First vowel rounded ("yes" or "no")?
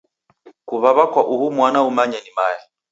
yes